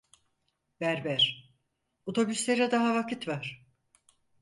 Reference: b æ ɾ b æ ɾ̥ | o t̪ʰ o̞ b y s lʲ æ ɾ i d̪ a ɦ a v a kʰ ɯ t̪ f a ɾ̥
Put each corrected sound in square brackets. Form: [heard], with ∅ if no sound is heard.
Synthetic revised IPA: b æ ɾ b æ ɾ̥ | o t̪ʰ o̞ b y s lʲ [e] ɾ [ɛ] d̪ a ɦ a v a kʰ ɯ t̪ [v] a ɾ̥